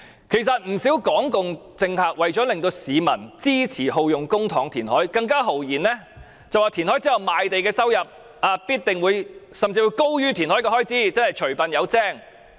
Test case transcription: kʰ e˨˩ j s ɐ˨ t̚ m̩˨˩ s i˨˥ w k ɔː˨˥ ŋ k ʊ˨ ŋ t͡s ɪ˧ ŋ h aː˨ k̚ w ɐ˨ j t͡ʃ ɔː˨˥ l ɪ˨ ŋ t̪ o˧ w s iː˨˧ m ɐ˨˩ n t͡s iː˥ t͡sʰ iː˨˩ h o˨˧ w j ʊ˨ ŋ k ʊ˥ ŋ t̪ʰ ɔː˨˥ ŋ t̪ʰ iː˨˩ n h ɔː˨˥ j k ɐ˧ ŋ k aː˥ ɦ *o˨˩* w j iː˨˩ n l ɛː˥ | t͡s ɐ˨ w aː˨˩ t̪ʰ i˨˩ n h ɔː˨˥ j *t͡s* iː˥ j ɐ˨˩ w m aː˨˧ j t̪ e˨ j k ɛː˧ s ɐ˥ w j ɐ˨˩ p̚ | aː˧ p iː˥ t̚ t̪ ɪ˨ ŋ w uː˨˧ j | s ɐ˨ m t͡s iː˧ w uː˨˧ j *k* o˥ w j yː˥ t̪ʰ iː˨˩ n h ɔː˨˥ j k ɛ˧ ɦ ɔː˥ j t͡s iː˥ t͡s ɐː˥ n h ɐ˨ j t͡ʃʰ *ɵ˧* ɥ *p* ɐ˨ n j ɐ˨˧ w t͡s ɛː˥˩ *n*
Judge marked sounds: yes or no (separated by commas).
yes, yes, yes, no, yes, no